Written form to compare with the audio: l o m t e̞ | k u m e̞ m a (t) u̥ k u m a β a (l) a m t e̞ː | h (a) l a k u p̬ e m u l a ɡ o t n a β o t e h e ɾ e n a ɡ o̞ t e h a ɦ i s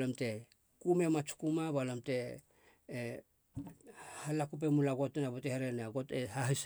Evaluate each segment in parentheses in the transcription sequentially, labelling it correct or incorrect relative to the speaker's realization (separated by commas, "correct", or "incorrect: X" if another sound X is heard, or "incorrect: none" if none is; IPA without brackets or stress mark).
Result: incorrect: t͡ʃ, correct, correct